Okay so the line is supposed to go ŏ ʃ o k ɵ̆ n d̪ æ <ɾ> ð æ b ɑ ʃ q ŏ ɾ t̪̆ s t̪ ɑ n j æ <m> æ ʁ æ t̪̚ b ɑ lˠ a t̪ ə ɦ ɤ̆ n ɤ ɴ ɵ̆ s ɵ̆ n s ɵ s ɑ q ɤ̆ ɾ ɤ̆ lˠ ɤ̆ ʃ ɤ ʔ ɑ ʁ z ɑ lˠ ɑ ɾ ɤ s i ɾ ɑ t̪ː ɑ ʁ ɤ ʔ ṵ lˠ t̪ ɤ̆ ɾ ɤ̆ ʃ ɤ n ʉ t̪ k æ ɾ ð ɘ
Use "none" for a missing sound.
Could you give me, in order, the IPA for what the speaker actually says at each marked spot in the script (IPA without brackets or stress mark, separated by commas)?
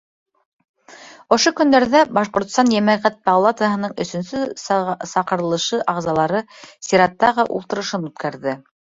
ɾ, m